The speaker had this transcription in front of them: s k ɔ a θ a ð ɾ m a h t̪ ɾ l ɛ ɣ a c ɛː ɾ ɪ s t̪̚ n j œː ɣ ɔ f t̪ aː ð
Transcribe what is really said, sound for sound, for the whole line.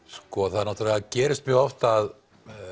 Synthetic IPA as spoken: s k ɔ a θ a ð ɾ n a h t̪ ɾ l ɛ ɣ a c ɛː ɾ ɪ s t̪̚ m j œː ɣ ɔ f t̪ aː ð